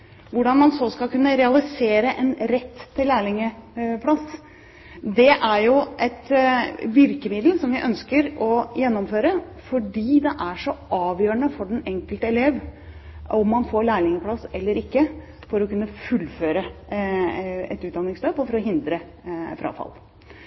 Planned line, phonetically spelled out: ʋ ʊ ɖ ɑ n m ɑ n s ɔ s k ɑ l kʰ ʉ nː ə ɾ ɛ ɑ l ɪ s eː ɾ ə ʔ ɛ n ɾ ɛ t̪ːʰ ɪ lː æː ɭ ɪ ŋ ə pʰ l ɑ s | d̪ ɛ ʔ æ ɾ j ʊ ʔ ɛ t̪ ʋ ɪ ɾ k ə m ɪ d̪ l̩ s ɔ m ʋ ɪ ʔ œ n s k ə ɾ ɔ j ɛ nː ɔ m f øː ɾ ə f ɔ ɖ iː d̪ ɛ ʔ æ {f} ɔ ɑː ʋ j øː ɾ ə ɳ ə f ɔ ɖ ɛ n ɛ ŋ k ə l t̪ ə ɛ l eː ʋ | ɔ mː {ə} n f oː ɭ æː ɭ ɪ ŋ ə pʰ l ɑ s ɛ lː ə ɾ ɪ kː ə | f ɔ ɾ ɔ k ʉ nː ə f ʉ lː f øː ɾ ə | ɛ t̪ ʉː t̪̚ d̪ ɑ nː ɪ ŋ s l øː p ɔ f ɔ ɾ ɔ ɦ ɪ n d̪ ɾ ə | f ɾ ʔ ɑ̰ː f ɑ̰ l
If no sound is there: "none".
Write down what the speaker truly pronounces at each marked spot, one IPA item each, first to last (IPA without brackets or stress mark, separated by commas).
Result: ʂ, ɑ